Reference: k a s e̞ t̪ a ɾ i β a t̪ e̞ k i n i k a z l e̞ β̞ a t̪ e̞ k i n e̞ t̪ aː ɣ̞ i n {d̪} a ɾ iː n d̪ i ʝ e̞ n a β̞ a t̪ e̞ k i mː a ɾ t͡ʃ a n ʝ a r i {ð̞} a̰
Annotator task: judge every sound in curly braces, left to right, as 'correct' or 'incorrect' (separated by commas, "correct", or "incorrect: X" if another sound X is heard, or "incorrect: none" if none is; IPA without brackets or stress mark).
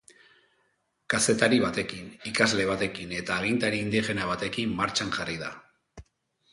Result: incorrect: t̪, correct